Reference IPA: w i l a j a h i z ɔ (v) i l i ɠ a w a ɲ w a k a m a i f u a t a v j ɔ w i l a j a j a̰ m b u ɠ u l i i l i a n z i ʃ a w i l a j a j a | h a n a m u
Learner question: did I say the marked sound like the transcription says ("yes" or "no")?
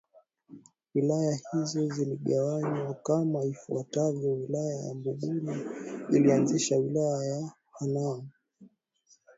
no